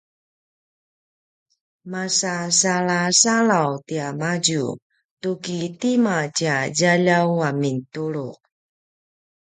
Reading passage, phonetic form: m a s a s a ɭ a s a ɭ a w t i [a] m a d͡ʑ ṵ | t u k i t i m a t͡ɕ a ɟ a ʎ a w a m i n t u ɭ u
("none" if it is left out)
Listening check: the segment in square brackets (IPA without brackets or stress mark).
a